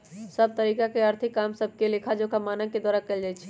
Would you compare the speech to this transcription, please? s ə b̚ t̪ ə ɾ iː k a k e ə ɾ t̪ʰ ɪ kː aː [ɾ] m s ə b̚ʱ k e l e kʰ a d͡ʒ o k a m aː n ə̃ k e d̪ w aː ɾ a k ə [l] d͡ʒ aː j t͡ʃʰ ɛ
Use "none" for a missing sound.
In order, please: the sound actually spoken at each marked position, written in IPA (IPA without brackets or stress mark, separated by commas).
none, l